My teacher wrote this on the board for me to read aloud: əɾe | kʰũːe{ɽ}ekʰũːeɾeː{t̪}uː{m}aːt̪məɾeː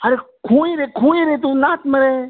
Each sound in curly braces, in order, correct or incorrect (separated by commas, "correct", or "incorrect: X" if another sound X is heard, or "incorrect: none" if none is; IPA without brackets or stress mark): incorrect: ɾ, correct, incorrect: n